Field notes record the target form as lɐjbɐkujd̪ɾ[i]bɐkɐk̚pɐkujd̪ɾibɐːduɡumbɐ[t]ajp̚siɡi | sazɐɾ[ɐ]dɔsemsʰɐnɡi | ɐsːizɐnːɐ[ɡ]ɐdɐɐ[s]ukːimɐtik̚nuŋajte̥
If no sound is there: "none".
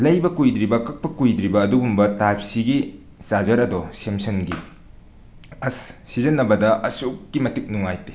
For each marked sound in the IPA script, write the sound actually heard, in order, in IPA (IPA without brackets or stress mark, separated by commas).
i, t, ɐ, b, s